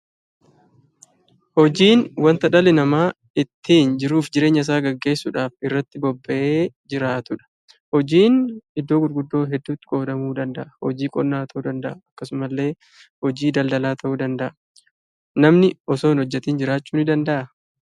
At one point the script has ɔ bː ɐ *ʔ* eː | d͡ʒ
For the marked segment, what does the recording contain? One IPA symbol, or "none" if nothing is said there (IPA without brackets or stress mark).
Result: ʔ